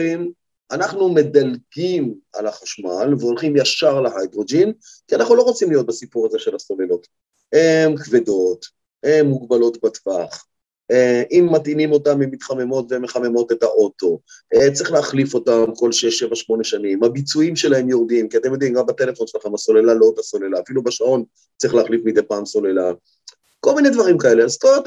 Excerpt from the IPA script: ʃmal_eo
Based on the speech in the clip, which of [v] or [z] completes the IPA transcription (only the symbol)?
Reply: v